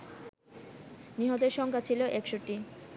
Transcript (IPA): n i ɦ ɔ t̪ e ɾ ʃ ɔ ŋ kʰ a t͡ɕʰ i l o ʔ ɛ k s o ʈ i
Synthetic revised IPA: n i ɦ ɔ t̪ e ɾ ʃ ɔ ŋ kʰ a t͡ɕʰ i l o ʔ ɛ k ʃ o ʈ i